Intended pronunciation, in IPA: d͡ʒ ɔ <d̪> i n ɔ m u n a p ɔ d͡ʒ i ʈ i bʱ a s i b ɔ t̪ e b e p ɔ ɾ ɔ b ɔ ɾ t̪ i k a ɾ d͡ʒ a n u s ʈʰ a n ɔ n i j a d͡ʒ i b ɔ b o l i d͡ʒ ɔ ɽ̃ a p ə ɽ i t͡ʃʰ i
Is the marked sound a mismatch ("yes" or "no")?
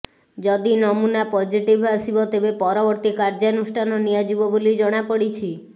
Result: no